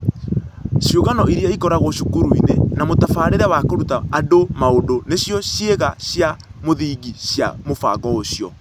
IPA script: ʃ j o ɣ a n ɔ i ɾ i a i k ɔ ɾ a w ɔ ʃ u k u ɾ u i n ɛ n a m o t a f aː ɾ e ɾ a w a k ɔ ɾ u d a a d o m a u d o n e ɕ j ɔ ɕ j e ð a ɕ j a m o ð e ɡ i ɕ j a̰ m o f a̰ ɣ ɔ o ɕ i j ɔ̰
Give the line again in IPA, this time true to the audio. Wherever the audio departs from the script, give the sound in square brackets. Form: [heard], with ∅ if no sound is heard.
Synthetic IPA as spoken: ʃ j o ɣ a n ɔ i ɾ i a i k ɔ ɾ a [ɣ] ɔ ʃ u k u ɾ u i n [e] n a m o t a f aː ɾ e ɾ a w a k [o] ɾ u [t] a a d o m a [o] d o n e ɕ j ɔ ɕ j e [ɣ] a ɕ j a m o ð [i] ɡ i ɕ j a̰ m o f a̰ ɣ ɔ o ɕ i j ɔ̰